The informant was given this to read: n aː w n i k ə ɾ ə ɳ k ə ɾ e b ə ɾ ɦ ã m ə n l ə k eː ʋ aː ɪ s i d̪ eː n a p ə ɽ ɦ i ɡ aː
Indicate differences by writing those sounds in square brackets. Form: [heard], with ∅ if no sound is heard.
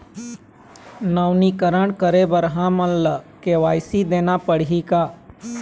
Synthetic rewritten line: n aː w n i k ə ɾ ə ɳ k ə ɾ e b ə ɾ ɦ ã m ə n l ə k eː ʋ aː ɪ s i d̪ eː n a p ə ɽ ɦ i [k] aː